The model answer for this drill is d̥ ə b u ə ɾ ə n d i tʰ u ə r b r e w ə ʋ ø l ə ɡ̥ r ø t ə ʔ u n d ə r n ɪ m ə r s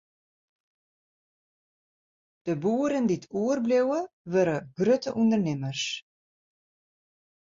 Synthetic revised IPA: d̥ ə b u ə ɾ ə n d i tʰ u ə r b l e w ə ʋ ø ɾ ə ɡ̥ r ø t ə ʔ u n d ə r n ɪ m ə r s